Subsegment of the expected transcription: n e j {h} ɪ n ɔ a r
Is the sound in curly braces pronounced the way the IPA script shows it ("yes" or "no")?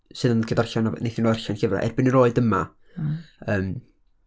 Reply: no